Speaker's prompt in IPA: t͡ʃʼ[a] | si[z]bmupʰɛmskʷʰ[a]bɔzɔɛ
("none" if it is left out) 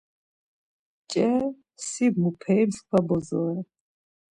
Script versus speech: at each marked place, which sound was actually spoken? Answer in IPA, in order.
ɛ, none, a

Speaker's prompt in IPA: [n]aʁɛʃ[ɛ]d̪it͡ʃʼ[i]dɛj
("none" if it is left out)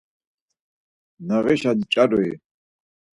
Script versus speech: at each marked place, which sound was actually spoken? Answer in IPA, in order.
n, a, a

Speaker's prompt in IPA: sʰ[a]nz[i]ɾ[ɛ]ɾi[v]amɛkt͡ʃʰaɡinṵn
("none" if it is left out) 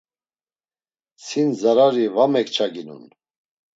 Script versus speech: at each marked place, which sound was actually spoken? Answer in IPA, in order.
i, a, a, v

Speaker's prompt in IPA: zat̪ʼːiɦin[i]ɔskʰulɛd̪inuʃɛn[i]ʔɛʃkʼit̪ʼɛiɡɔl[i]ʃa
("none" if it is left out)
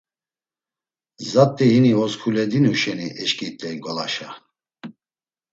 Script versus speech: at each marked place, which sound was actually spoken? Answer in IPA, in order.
i, i, a

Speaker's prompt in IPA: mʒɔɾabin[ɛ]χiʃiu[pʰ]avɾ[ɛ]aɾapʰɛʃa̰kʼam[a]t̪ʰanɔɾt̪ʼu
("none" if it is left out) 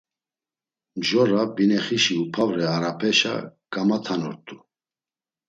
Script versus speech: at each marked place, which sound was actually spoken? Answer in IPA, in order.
ɛ, pʰ, ɛ, a

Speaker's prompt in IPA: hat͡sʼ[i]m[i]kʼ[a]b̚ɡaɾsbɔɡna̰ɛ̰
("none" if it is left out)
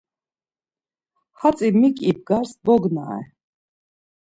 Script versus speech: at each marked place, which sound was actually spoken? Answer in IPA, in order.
i, i, i

